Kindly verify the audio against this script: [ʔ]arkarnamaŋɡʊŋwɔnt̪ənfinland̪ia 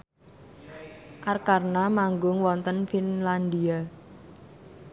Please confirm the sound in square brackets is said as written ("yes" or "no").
yes